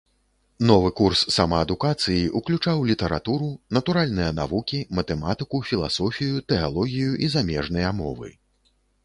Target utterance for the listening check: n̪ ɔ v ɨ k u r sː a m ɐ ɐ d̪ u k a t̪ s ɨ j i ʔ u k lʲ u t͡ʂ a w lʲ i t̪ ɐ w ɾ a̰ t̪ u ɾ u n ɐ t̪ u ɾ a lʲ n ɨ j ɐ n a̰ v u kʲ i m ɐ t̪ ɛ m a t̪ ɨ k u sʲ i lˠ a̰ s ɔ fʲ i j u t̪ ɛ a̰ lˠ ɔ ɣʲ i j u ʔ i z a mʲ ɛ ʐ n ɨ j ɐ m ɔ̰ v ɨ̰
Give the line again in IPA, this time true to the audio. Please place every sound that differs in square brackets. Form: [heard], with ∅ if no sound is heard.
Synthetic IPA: n̪ ɔ v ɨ k u r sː a m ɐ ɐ d̪ u k a t̪ s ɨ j i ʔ u k lʲ u t͡ʂ a w lʲ i t̪ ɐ [∅] ɾ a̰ t̪ u ɾ u n ɐ t̪ u ɾ a lʲ n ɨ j ɐ n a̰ v u kʲ i m ɐ t̪ ɛ m a t̪ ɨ k u [fʲ] i lˠ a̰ s ɔ fʲ i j u t̪ ɛ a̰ lˠ ɔ ɣʲ i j u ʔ i z a mʲ ɛ ʐ n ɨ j ɐ m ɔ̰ v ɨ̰